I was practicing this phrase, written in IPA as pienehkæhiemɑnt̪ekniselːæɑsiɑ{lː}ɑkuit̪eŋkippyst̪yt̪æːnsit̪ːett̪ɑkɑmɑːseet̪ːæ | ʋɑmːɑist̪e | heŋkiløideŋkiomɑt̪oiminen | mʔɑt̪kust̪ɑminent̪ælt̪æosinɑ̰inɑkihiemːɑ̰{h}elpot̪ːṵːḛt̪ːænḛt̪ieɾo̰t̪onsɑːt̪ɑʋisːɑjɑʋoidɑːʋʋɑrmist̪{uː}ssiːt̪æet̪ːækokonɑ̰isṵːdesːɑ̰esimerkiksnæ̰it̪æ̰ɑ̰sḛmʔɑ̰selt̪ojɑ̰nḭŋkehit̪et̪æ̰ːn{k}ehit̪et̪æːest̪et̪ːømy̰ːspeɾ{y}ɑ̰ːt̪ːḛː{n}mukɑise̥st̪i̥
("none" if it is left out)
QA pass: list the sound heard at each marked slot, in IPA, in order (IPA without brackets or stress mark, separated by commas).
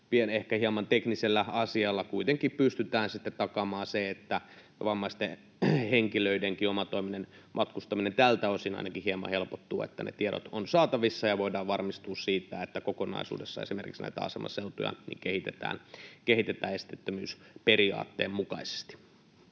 lː, h, uː, k, i, m